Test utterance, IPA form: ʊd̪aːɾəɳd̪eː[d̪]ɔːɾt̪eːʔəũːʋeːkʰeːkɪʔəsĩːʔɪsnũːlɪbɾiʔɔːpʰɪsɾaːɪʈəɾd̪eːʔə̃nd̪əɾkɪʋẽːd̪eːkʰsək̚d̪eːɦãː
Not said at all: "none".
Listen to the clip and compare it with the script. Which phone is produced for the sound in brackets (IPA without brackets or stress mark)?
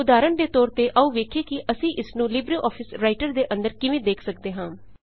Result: t̪